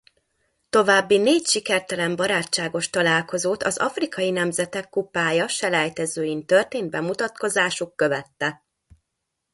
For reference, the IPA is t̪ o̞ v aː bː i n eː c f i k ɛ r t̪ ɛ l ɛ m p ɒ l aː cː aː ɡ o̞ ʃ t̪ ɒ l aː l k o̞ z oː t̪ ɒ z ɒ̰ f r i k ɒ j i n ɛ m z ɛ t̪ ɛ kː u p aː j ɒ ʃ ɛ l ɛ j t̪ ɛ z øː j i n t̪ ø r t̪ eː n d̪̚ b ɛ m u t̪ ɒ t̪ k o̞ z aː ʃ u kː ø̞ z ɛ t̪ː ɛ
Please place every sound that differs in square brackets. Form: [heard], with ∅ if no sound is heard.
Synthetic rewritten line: t̪ o̞ v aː bː i n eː c [ʃ] i k ɛ r t̪ ɛ l ɛ m [b] ɒ [ɾ] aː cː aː ɡ o̞ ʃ t̪ ɒ l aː l k o̞ z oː t̪ ɒ z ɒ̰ f r i k ɒ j i n ɛ m z ɛ t̪ ɛ kː u p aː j ɒ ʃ ɛ l ɛ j t̪ ɛ z øː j i n t̪ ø r t̪ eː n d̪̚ b ɛ m u t̪ ɒ t̪ k o̞ z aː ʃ u kː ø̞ [v] ɛ t̪ː ɛ

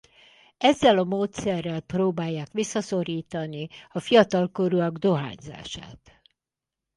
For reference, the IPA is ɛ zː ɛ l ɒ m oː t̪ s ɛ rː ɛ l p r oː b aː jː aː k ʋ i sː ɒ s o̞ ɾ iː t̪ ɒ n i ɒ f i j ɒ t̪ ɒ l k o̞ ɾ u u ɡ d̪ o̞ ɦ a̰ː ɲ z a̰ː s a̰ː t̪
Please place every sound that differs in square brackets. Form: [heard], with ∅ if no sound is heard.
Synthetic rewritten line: ɛ zː ɛ l ɒ m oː t̪ s ɛ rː ɛ l p r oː b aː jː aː k ʋ i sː ɒ s o̞ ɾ iː t̪ ɒ n i ɒ f i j ɒ t̪ ɒ l k o̞ ɾ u [ɒ] ɡ d̪ o̞ ɦ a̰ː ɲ z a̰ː [ʃ] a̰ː t̪

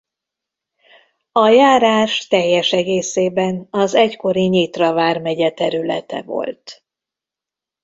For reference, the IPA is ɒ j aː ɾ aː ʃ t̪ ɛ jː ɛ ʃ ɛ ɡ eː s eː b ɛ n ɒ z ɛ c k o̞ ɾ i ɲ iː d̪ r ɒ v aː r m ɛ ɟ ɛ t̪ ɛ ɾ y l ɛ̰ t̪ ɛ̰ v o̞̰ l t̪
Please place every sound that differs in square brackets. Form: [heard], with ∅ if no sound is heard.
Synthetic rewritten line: ɒ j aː ɾ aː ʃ t̪ ɛ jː ɛ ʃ ɛ ɡ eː s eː b ɛ n ɒ z ɛ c k o̞ ɾ i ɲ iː [t̪] r ɒ v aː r m ɛ ɟ ɛ t̪ ɛ ɾ y l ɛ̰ t̪ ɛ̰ v o̞̰ l t̪

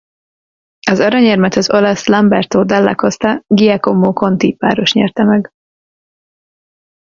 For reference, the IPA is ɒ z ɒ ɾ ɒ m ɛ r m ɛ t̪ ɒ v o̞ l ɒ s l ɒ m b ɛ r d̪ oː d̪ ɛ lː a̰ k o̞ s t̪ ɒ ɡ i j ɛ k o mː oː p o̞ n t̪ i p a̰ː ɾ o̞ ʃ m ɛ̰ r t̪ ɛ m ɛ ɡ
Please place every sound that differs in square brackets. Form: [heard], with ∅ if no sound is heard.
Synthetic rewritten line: ɒ z ɒ ɾ ɒ [ɲ] ɛ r m ɛ t̪ ɒ [z] o̞ l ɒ s l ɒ m b ɛ r [t̪] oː d̪ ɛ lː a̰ k o̞ s t̪ ɒ ɡ i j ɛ k o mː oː [k] o̞ n t̪ i p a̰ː ɾ o̞ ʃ [ɲ] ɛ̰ r t̪ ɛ m ɛ ɡ

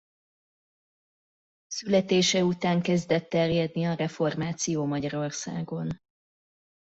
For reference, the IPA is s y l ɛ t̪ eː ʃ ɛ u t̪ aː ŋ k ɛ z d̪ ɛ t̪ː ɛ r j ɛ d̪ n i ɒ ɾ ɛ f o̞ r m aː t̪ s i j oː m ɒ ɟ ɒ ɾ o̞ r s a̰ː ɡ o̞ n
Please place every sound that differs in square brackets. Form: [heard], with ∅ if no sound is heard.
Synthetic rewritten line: s y l ɛ t̪ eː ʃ ɛ u t̪ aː ŋ k ɛ z d̪ ɛ t̪ː ɛ r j ɛ d̪ n i ɒ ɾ ɛ f o̞ r m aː t̪ s i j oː m ɒ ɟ ɒ ɾ o̞ r s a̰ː ɡ o̞ n

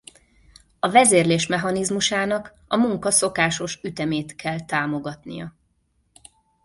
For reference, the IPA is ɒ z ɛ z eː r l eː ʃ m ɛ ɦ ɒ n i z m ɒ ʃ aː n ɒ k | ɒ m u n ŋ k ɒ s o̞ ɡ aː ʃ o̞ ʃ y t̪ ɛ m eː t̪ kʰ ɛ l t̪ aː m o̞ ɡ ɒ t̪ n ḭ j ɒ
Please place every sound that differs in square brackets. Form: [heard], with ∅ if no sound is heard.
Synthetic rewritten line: ɒ [v] ɛ z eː r l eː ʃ m ɛ ɦ ɒ n i z m [u] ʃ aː n ɒ k | ɒ m u [∅] ŋ k ɒ s o̞ [k] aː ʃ o̞ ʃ y t̪ ɛ m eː t̪ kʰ ɛ l t̪ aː m o̞ ɡ ɒ t̪ n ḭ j ɒ

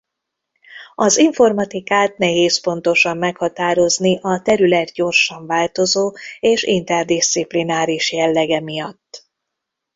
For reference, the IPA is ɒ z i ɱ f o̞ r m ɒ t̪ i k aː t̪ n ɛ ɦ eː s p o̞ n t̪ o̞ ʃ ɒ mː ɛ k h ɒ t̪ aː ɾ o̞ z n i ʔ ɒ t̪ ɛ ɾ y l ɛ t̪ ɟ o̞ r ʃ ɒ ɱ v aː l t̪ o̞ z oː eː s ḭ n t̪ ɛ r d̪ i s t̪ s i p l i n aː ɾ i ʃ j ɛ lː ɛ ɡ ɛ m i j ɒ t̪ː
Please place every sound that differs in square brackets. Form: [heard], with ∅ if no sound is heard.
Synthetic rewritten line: ɒ z i ɱ f o̞ r m ɒ t̪ i k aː t̪ n ɛ ɦ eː s p o̞ n t̪ o̞ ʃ ɒ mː ɛ k h ɒ t̪ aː ɾ o̞ z n i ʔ ɒ t̪ ɛ ɾ y l ɛ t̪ ɟ o̞ r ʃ ɒ ɱ v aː l t̪ o̞ z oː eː [ʃ] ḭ n t̪ ɛ r d̪ i s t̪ s i p l i n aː ɾ i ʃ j ɛ lː ɛ ɡ ɛ m i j ɒ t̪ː

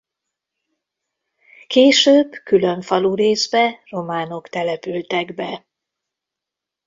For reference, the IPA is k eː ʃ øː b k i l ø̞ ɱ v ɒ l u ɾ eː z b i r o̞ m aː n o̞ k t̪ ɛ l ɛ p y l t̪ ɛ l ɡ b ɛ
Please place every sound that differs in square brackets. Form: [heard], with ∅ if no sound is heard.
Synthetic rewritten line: k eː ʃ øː b k [y] l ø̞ ɱ [f] ɒ l u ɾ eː z b [ɛ] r o̞ m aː n o̞ k t̪ ɛ l ɛ p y l t̪ ɛ [∅] ɡ b ɛ

